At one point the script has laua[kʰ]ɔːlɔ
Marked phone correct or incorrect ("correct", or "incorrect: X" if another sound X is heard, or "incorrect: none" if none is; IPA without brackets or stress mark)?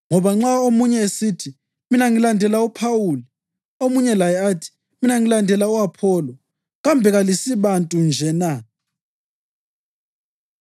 incorrect: pʰ